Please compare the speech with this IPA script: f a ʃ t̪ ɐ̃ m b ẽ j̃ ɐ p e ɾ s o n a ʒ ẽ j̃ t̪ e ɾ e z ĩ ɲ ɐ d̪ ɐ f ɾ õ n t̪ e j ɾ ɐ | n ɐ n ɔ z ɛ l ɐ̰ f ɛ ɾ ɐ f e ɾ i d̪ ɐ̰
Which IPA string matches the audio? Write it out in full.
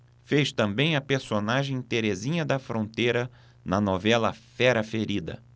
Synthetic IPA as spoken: f e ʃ t̪ ɐ̃ m b ẽ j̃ ɐ p e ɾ s o n a ʒ ẽ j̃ t̪ e ɾ e z ĩ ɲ ɐ d̪ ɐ f ɾ õ n t̪ e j ɾ ɐ | n ɐ n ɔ v ɛ l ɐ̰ f ɛ ɾ ɐ f e ɾ i d̪ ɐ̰